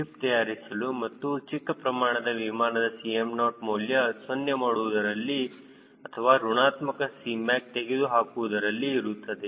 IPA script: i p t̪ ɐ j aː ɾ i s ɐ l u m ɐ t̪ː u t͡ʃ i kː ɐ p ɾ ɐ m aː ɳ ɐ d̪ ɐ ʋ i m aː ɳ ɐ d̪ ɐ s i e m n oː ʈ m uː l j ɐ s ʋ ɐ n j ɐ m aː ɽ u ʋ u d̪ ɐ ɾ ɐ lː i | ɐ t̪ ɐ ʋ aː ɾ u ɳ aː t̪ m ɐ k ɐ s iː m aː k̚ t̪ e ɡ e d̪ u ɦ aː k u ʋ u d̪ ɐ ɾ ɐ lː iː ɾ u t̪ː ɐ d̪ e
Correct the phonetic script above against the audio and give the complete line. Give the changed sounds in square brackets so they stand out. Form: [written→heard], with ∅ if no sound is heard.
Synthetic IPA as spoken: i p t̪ ɐ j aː ɾ i s ɐ l u m ɐ t̪ː u t͡ʃ i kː ɐ p ɾ ɐ m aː ɳ ɐ d̪ ɐ ʋ i m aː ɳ ɐ d̪ ɐ s i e m n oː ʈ m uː l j ɐ s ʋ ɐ n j ɐ m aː ɽ u ʋ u d̪ ɐ ɾ ɐ lː i | ɐ [t̪→t̪ʰ] ɐ ʋ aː ɾ u ɳ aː t̪ m ɐ k ɐ s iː m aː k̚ t̪ e ɡ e d̪ u ɦ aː k u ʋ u d̪ ɐ ɾ ɐ lː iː ɾ u t̪ː ɐ d̪ e